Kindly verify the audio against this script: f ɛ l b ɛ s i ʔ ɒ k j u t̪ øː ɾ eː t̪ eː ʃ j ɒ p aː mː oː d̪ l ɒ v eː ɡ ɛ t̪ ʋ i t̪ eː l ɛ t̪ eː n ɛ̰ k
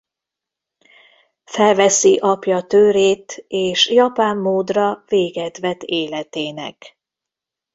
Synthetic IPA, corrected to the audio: f ɛ l v ɛ s i ʔ ɒ p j ɒ t̪ øː ɾ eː t̪ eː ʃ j ɒ p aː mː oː d̪ r ɒ v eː ɡ ɛ t̪ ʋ ɛ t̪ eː l ɛ t̪ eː n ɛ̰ k